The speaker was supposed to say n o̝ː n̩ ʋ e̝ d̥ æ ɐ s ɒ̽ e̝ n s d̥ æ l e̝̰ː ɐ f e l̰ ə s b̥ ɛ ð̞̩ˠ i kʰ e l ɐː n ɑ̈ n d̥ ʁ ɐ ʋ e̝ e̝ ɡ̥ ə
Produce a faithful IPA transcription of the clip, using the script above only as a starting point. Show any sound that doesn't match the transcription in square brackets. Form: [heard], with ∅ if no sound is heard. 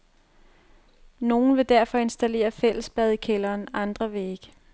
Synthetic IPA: n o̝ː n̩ ʋ e̝ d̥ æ ɐ [f] ɒ̽ e̝ n s d̥ æ l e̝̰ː ɐ f e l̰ ə s b̥ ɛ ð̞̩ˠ i kʰ e l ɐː n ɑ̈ n d̥ ʁ ɐ ʋ e̝ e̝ ɡ̥ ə